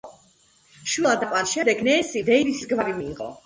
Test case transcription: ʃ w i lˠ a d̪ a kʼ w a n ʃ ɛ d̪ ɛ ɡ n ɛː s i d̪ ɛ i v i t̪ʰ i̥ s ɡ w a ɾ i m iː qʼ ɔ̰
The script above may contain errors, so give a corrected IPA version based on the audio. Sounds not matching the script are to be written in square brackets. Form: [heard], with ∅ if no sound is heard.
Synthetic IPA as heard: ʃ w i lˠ a d̪ a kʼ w a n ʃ ɛ d̪ ɛ ɡ n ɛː s i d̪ ɛ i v i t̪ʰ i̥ s ɡ [v] a ɾ i m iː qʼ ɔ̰